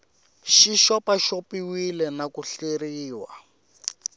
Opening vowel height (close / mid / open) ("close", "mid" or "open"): close